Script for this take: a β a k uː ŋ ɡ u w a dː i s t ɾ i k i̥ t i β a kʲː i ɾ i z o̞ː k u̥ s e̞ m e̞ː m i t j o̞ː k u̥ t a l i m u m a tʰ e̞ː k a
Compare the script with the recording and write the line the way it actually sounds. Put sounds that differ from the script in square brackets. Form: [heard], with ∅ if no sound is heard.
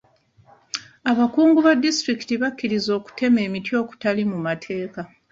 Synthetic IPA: a β a k uː ŋ ɡ u [β] a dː i s t ɾ i k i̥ t i β a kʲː i ɾ i z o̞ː k u̥ [t] e̞ m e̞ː m i t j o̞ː k u̥ t a l i m u m a tʰ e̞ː k a